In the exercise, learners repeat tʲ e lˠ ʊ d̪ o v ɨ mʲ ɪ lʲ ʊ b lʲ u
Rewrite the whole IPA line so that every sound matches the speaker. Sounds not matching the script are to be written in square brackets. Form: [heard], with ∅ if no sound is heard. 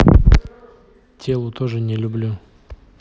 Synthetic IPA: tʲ e lˠ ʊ [t̪] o [ʐ] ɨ [nʲ] ɪ lʲ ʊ b lʲ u